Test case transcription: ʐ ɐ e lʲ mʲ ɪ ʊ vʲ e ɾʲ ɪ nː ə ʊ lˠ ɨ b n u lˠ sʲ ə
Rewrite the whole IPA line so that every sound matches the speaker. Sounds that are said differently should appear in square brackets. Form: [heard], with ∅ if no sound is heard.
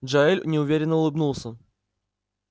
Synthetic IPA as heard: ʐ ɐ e lʲ [nʲ] ɪ ʊ vʲ e ɾʲ ɪ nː ə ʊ lˠ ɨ b n u lˠ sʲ ə